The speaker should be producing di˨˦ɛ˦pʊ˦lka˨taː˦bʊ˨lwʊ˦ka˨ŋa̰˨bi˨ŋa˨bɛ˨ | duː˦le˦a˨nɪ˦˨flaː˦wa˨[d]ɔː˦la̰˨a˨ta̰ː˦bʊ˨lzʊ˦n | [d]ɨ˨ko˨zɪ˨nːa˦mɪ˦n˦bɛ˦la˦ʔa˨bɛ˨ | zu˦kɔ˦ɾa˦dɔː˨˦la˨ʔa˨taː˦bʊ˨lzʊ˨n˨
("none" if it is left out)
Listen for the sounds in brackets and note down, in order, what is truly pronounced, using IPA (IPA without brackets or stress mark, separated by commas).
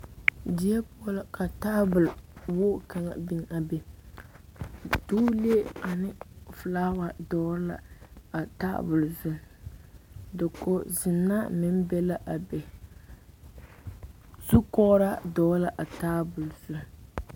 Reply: d, d